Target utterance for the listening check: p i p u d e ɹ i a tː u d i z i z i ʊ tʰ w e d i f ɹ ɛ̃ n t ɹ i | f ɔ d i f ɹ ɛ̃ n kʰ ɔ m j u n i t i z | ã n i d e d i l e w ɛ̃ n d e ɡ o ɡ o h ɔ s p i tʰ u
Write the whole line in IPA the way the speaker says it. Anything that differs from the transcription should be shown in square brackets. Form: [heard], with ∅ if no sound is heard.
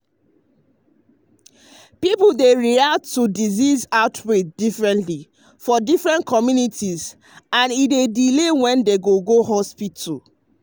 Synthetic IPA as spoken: p i p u d e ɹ i a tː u d i z i z [a] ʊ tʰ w e d i f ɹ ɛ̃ n t [l] i | f ɔ d i f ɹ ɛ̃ n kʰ ɔ m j u n i t i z | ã n i d e d i l e w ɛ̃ n d e ɡ o ɡ o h ɔ s p i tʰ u